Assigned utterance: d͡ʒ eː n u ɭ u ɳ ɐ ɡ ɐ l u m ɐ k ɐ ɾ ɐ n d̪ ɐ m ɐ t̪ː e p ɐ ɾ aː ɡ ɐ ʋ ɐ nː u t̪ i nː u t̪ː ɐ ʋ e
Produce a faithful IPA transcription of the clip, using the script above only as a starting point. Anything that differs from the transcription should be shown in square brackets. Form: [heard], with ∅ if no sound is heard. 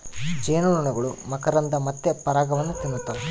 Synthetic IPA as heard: d͡ʒ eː n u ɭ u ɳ ɐ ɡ ɐ [ɭ] u m ɐ k ɐ ɾ ɐ n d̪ ɐ m ɐ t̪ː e p ɐ ɾ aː ɡ ɐ ʋ ɐ nː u t̪ i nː u t̪ː ɐ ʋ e